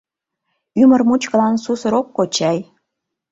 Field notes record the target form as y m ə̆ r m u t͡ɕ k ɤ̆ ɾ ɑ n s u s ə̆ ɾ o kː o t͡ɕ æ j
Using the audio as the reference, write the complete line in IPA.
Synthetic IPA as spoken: y m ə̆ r m u t͡ɕ k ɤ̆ l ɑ n s u s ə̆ ɾ o kː o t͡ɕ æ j